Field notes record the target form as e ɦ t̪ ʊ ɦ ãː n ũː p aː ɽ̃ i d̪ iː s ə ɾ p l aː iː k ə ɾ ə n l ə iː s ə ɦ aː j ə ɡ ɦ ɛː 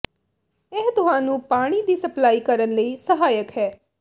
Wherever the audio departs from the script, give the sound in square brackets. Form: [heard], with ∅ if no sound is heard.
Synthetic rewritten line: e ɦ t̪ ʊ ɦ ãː n ũː p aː ɽ̃ i d̪ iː s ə [∅] p l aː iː k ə ɾ ə n l ə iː s ə ɦ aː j ə [k] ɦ ɛː